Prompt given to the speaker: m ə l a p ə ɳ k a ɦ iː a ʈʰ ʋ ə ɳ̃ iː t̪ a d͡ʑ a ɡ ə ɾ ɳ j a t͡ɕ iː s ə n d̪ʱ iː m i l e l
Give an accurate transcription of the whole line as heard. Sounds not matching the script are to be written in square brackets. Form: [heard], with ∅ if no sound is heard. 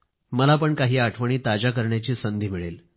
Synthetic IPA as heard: m ə l a p ə ɳ k a ɦ iː a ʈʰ ʋ ə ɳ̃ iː t̪ a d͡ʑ a [k] ə ɾ ɳ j a t͡ɕ iː s ə n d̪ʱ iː m i [ɭ] e l